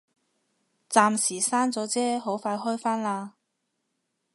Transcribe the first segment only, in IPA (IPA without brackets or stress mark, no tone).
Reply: t͡s